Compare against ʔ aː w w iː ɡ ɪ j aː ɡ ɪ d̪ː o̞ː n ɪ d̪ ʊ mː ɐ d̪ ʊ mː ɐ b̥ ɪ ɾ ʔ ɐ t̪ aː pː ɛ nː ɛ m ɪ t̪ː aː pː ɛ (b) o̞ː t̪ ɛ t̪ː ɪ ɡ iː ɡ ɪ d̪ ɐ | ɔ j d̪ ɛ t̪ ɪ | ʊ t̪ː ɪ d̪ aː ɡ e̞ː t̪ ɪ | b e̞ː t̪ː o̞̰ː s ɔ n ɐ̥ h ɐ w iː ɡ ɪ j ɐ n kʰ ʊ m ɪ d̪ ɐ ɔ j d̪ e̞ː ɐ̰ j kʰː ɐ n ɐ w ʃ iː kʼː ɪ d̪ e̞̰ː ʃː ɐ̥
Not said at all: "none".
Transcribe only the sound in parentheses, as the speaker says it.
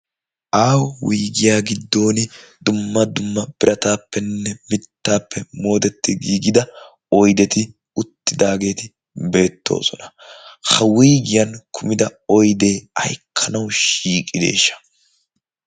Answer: m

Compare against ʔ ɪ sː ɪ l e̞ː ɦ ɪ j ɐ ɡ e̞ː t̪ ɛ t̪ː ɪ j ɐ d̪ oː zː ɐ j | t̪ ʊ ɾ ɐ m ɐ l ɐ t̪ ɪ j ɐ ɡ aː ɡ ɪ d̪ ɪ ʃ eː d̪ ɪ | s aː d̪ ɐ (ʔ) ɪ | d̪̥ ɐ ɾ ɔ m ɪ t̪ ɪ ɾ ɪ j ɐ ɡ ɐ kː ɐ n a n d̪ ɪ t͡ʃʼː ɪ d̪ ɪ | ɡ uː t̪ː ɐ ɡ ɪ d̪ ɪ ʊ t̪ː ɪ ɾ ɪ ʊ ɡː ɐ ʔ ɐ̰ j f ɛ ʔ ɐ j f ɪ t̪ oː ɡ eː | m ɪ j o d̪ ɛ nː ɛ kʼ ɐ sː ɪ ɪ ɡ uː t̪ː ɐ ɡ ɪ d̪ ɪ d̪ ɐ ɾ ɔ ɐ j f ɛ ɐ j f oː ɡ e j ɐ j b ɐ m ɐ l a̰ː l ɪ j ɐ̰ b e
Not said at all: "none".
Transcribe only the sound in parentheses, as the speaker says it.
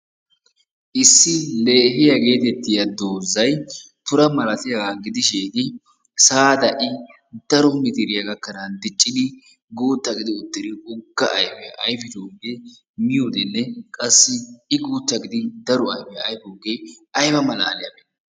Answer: ʔ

